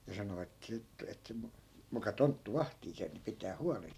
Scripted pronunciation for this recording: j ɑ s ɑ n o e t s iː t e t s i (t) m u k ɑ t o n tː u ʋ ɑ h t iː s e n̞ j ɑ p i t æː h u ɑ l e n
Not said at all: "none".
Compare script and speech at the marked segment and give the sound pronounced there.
none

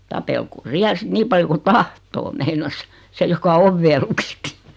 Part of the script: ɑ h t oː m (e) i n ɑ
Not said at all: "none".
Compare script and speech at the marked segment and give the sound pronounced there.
e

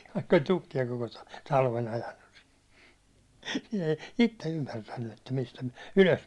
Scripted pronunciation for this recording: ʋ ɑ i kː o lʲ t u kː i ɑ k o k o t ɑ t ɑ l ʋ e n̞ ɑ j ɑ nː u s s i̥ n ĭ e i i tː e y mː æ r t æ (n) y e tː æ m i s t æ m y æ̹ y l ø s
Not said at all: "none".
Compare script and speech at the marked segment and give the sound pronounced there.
nː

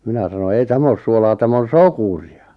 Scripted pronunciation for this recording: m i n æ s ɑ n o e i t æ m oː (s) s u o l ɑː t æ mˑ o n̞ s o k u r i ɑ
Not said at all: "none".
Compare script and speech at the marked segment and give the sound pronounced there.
s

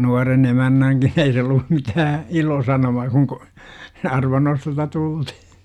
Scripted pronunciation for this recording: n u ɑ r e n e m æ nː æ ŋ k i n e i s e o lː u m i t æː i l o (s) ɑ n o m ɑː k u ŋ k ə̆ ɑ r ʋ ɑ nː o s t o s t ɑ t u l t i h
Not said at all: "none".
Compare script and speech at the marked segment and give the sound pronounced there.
s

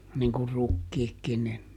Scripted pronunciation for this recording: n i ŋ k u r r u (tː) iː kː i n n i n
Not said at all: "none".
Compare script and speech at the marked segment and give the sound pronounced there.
kː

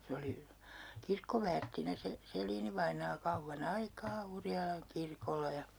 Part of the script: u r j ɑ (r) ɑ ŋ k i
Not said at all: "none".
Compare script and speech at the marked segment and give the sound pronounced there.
l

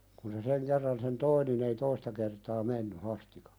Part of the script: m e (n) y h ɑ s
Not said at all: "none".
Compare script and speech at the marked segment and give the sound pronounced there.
nː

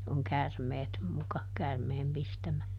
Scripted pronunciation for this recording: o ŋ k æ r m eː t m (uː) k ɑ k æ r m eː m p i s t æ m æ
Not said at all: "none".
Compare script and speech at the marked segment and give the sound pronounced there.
u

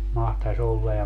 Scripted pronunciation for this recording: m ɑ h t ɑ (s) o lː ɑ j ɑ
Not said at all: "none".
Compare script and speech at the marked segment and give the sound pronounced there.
s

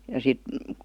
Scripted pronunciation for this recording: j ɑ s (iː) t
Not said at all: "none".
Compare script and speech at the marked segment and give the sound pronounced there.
i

